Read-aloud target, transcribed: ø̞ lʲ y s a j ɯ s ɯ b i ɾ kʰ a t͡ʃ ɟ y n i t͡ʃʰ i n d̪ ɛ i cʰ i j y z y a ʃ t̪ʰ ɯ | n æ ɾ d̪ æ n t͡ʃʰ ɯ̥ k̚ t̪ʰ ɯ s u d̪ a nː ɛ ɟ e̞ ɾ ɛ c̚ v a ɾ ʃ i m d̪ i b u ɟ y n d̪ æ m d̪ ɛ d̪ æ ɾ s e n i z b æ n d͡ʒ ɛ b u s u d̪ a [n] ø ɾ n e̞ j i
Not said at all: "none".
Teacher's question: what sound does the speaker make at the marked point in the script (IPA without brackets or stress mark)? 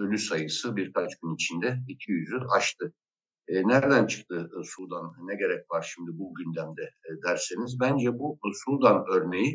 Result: n